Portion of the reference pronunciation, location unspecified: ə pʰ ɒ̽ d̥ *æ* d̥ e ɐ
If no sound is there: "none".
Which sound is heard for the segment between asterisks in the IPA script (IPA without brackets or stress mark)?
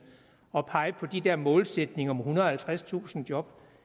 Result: i